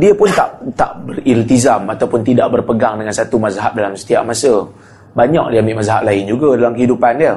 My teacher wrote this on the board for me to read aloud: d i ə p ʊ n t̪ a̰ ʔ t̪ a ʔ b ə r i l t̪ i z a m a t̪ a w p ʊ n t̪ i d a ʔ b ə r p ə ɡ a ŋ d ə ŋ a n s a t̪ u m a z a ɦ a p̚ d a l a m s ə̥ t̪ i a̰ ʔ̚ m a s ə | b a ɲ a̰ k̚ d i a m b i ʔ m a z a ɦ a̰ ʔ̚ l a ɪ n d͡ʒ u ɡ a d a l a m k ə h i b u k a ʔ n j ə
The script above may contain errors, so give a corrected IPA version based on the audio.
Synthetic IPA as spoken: d i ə p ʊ n t̪ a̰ ʔ t̪ a ʔ b ə r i l t̪ i z a m a t̪ a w p ʊ n t̪ i d a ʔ b ə r p ə ɡ a ŋ d ə ŋ a n s a t̪ u m a z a ɦ a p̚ d a l a m s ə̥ t̪ i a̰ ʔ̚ m a s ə | b a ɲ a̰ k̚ d i a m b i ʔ m a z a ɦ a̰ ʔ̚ l a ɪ n d͡ʒ u ɡ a d a l a m k ə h i d u p a n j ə